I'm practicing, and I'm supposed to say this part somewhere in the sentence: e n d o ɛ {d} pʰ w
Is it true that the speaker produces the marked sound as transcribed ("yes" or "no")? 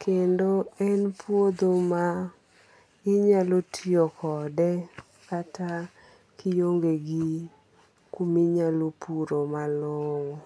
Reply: no